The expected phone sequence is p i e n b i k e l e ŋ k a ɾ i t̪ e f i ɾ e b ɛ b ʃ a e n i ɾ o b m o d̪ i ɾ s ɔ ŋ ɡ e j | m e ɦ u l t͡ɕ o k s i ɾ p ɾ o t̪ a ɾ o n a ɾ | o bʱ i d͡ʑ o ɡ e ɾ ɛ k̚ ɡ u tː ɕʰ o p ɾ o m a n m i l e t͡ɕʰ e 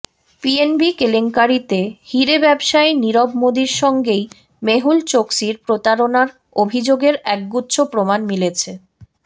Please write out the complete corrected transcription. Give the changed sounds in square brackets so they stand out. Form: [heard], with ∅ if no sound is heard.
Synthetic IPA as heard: p i e n b i k e l e ŋ k a ɾ i t̪ e [h] i ɾ e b ɛ b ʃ a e n i ɾ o b m o d̪ i ɾ [ʃ] ɔ ŋ ɡ e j | m e ɦ u l t͡ɕ o k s i ɾ p ɾ o t̪ a ɾ o n a ɾ | o bʱ i d͡ʑ o ɡ e ɾ ɛ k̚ ɡ u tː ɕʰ o p ɾ o m a n m i l e t͡ɕʰ e